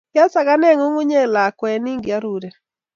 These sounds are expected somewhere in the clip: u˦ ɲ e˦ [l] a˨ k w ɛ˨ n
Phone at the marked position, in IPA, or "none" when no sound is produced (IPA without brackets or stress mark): l